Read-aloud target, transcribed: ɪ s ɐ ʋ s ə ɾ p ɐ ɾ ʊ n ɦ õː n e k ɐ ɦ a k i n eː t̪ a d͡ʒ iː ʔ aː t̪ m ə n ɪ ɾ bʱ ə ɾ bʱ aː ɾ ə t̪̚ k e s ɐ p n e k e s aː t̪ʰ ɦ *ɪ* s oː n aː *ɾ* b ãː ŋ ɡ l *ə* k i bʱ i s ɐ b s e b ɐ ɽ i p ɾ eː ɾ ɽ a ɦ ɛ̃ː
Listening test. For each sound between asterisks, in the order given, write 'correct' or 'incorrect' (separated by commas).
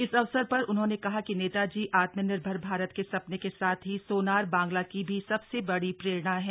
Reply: incorrect, correct, incorrect